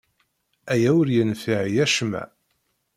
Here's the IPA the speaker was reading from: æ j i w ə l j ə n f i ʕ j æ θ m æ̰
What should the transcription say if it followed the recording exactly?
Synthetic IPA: æ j æ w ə ɾ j ə n f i ʕ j æ ʃ m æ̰

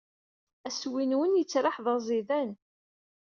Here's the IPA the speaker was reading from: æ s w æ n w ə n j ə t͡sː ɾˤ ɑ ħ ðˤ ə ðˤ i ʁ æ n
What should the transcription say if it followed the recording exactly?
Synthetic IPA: æ s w i n w ə n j ə t͡sː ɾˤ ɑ ħ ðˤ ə zˤ i ð æ n

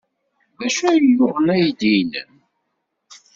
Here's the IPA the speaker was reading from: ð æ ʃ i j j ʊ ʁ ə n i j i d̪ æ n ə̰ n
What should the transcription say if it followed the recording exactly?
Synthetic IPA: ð æ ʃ æ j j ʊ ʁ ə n æ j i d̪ i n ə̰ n

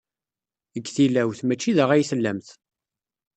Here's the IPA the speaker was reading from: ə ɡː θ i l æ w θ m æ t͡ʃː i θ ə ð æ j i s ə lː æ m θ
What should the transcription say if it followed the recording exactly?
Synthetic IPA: ə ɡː θ i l æ w θ m æ t͡ʃː i ð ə ʁ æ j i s ə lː æ m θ

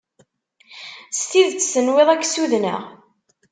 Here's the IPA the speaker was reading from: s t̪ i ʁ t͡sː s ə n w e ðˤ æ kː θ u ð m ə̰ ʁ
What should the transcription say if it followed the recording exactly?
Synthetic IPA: s t̪ i ð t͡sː s ə n w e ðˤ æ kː s u ð n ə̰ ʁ

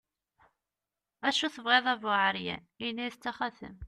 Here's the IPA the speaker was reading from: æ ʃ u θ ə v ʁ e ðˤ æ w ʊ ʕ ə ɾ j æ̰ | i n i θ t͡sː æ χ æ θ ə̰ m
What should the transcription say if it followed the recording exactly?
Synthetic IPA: æ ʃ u θ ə v ʁ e ðˤ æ v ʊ ʕ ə ɾ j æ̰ | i n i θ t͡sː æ χ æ θ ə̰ m

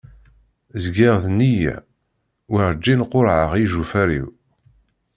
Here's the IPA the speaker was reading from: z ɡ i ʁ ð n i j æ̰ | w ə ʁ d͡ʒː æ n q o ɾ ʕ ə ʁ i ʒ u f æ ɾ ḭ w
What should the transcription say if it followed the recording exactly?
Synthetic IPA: z ɡ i ʁ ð n i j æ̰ | w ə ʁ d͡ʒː i n q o ɾ ʕ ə ʁ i ʒ u f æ ɾ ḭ w

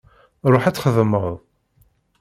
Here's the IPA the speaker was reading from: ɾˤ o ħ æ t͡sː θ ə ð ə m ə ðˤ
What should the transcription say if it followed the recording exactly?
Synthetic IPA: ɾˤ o ħ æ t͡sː χ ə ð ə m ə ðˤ

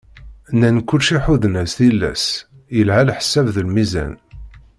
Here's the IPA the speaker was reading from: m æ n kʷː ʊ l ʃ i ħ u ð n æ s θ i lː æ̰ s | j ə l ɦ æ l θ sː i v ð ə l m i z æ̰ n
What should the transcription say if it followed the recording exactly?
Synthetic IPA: n æ n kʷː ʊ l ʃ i ħ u ð n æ s θ i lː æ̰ s | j ə l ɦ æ l ħ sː æ v ð ə l m i z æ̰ n

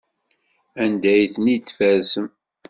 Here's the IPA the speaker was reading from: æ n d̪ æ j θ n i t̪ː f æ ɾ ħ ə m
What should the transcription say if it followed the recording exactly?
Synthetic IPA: æ n d̪ æ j θ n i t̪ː f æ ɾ s ə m

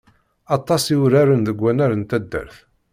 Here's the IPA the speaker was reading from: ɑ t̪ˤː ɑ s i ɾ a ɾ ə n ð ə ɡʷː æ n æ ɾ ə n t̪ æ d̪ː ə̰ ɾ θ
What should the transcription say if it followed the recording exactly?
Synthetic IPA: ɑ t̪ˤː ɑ s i ɾ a ɾ ə n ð ə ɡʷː æ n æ ɾ ə n t̪ æ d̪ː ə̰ ɾ θ

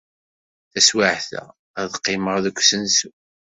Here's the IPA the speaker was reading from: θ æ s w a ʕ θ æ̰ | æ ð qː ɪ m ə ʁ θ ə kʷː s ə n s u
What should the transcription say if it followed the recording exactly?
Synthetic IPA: θ æ s w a ʕ θ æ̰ | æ ð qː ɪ m ə ʁ ð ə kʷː s ə n s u

